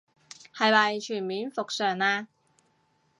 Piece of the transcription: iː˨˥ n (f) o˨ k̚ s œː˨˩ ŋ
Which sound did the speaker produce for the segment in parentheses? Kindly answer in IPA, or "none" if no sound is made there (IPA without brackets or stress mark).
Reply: f